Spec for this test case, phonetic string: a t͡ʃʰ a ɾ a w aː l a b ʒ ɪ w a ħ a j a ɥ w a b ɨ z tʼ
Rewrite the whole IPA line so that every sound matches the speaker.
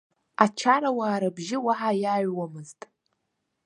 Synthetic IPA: a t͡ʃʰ a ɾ a w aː ɾ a b ʒ ɪ w a ħ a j a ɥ w a m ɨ z tʼ